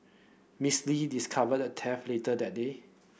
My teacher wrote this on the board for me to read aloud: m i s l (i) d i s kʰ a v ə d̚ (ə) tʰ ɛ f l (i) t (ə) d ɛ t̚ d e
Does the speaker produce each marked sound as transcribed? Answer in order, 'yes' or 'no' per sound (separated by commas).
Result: yes, yes, no, yes